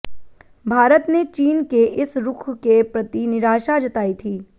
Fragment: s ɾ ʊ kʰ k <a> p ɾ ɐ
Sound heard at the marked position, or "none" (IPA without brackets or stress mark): e